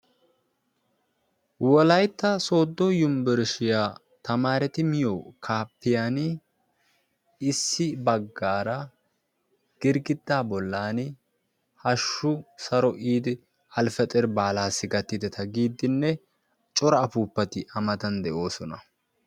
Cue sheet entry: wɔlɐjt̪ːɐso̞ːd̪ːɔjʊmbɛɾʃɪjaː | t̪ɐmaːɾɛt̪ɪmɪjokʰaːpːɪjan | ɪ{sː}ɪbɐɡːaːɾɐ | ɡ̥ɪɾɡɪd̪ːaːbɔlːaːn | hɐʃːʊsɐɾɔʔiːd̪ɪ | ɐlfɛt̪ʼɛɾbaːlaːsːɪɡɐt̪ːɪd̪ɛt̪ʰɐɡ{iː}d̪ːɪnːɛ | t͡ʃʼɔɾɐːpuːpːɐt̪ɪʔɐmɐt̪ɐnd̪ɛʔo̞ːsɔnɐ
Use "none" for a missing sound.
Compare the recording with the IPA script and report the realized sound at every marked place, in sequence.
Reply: sː, iː

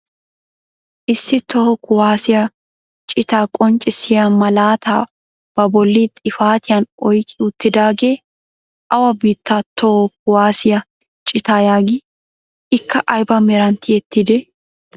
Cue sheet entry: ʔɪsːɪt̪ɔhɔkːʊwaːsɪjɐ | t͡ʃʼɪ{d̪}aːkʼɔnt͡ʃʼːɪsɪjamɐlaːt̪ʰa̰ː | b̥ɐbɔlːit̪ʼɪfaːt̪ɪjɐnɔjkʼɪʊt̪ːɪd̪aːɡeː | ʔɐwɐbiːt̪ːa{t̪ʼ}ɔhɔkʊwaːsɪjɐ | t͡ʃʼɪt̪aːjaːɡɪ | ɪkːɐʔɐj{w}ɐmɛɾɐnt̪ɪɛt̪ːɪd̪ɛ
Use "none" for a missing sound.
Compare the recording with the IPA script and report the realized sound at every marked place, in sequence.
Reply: t̪, t̪, b

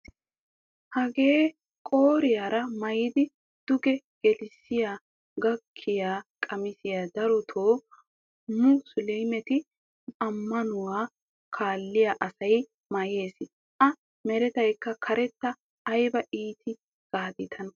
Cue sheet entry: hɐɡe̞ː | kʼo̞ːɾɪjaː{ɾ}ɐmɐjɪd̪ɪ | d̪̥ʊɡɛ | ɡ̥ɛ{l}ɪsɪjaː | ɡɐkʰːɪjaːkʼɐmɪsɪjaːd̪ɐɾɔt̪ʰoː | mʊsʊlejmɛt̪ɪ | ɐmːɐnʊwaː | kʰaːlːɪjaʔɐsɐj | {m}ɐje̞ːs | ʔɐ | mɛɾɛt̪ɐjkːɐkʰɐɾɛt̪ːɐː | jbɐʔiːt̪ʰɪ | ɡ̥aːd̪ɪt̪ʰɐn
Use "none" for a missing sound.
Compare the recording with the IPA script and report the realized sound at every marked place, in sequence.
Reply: ɾ, l, m

